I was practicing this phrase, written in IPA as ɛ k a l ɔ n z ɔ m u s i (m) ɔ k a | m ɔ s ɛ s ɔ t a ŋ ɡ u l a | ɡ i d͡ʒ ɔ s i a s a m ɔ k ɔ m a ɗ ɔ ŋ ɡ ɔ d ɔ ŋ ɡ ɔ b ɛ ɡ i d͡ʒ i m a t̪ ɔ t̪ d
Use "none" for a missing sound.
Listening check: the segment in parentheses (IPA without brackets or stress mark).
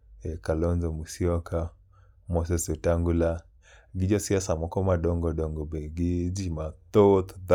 none